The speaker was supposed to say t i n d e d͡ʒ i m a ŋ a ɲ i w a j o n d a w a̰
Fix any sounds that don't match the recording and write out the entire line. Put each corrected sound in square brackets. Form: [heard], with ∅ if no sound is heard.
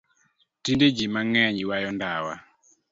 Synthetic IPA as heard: t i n d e d͡ʒ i m a ŋ [ɛ] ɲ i w a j [ɔ] n d a w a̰

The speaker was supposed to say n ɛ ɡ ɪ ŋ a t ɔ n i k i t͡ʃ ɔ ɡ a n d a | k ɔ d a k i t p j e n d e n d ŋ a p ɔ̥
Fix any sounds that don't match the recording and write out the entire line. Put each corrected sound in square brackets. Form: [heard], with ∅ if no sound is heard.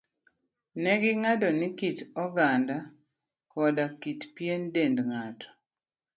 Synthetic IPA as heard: n ɛ ɡ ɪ ŋ a [d] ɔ n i k i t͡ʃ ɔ ɡ a n d a | k ɔ d a k i t p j e n d e n d ŋ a [t] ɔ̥

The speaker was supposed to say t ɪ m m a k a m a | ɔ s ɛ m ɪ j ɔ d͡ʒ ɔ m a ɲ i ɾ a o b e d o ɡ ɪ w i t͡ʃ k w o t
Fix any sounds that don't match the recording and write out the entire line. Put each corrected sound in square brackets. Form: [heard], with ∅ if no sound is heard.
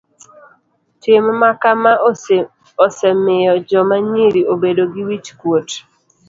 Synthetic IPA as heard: t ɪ m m a k a m a | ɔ s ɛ m ɪ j ɔ d͡ʒ ɔ m a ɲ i ɾ [i] o b e d o ɡ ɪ w i t͡ʃ k w o t

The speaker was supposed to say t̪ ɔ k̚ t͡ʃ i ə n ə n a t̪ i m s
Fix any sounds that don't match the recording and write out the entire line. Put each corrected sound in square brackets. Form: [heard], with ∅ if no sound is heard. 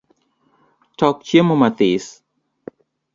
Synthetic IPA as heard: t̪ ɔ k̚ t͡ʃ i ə [m] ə [m] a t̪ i [∅] s

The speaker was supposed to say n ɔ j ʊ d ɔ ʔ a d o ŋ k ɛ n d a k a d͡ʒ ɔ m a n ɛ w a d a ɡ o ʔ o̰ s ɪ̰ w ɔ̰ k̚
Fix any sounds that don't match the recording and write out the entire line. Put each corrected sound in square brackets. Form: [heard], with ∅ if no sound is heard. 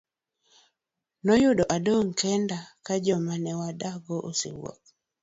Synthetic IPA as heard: n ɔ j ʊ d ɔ ʔ a d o ŋ k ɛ n d a k a d͡ʒ ɔ m a n ɛ w a d a ɡ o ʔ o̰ s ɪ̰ w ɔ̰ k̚

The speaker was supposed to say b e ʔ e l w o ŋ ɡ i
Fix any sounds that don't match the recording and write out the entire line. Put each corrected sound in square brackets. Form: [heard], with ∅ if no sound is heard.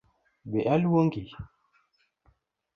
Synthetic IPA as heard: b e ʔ [a] l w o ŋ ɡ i

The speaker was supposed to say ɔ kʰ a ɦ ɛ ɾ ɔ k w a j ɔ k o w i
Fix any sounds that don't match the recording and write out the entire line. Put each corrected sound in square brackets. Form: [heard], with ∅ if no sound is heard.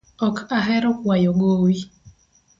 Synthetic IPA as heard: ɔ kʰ a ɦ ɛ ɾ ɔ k w a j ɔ [ɡ] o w i

